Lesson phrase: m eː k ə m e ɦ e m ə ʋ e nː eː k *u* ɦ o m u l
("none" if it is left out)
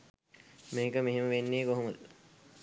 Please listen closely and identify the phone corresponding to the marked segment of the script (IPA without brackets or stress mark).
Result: o